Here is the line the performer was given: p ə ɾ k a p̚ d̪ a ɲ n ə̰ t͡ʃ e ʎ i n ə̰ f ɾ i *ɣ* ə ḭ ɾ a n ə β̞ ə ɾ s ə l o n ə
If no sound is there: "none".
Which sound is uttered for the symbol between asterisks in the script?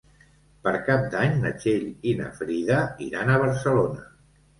ð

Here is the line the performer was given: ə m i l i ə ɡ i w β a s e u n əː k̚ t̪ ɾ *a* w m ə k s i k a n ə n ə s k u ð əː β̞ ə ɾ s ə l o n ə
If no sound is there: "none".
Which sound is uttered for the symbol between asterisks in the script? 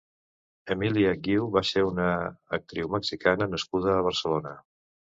i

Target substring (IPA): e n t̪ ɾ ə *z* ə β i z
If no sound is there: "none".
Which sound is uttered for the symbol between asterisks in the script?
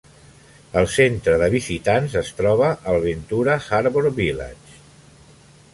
ð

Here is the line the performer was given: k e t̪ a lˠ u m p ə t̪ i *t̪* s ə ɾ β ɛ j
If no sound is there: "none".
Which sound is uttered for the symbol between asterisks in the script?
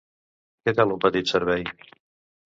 t̪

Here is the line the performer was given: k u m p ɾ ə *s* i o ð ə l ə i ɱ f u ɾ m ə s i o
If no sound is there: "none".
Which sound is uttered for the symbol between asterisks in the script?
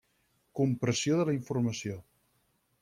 s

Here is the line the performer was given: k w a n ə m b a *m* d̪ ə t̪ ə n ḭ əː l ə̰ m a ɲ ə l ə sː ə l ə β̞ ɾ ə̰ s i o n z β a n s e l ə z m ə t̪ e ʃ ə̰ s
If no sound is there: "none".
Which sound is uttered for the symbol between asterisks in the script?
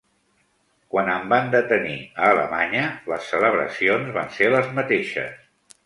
n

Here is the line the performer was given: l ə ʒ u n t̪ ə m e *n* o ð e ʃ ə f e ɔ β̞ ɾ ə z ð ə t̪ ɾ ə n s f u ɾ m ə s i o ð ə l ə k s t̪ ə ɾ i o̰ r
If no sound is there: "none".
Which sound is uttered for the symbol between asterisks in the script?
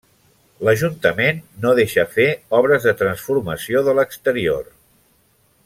nː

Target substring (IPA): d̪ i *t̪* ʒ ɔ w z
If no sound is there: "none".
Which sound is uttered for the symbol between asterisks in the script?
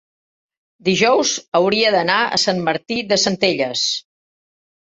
none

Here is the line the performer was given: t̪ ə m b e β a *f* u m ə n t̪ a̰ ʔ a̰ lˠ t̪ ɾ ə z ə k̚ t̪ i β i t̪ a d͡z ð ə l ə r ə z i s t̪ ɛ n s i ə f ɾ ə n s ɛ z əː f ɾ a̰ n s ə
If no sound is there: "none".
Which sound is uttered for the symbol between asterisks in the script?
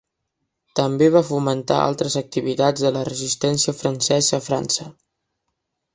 f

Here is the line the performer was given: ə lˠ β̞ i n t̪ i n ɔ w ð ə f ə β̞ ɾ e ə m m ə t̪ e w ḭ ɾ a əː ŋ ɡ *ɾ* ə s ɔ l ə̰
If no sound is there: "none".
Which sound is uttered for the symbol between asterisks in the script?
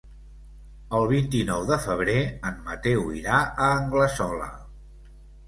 l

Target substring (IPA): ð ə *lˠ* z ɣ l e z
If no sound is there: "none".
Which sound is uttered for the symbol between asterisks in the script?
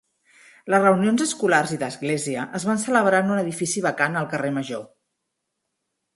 none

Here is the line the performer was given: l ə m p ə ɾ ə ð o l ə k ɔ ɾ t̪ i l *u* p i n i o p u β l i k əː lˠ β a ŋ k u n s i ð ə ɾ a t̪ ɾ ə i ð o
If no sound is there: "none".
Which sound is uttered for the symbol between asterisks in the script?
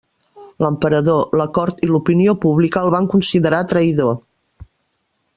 u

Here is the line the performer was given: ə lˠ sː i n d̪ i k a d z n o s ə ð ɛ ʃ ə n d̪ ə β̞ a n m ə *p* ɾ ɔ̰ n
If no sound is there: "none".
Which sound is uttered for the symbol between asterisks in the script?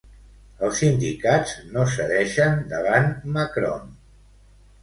k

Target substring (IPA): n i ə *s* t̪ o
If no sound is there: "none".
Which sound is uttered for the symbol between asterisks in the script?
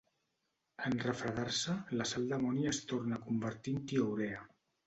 s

